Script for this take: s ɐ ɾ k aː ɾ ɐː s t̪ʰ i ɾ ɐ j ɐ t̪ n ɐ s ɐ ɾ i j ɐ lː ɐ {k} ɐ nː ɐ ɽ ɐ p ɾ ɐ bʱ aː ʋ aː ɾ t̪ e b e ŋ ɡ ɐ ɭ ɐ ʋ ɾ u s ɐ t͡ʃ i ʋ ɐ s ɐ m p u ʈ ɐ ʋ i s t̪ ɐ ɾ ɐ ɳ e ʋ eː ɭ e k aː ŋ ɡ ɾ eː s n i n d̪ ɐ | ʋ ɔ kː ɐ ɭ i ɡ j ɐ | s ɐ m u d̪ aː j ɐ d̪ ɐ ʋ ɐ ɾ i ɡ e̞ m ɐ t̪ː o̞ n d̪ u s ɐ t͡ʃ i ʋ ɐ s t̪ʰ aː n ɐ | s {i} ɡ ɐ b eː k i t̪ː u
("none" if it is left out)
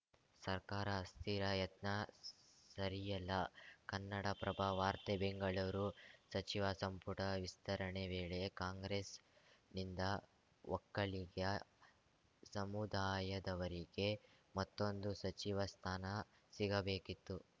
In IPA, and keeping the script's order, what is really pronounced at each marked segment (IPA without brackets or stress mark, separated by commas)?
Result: k, i